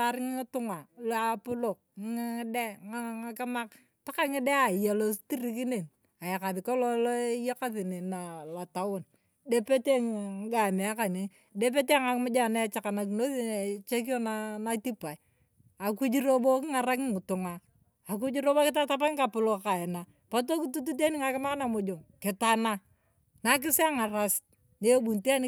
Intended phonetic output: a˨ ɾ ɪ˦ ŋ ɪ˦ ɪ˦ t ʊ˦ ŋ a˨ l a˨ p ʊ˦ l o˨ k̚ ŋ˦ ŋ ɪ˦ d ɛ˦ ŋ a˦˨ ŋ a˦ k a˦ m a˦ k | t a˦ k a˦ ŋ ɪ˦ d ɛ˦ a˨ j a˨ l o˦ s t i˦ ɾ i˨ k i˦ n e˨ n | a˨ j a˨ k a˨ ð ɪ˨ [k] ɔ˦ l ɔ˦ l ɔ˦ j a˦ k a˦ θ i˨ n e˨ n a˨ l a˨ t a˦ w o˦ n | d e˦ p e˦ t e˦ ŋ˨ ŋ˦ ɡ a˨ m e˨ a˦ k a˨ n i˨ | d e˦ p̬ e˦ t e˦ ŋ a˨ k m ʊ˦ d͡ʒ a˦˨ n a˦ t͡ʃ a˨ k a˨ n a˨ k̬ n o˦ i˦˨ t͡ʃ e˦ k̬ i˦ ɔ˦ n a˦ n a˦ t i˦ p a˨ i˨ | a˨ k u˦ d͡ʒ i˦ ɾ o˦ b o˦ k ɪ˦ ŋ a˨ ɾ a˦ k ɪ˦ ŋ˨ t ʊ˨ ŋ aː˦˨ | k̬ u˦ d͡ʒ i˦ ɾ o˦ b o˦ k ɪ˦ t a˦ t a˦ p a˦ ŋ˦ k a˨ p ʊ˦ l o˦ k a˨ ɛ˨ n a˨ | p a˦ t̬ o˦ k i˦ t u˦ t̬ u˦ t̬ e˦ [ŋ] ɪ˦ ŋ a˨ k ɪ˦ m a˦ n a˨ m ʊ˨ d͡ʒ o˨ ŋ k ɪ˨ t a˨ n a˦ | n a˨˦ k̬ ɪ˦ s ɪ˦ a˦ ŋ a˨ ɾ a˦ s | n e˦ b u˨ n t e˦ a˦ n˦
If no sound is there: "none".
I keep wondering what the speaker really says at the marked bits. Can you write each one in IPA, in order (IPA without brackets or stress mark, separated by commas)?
k, n